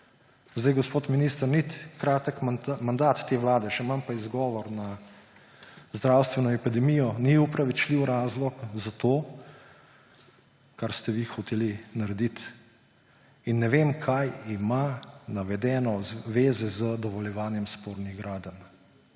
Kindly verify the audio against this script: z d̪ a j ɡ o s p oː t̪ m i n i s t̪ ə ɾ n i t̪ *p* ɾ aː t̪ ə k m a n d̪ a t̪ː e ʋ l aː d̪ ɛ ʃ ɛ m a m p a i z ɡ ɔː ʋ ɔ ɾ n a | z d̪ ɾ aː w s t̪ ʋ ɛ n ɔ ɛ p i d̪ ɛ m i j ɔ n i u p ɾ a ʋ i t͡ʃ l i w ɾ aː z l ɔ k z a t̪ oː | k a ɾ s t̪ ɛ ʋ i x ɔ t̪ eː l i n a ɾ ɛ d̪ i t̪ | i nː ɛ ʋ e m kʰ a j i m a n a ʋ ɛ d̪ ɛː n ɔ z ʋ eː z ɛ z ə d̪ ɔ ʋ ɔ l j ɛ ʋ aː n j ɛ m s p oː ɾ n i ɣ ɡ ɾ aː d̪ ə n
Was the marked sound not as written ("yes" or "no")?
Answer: yes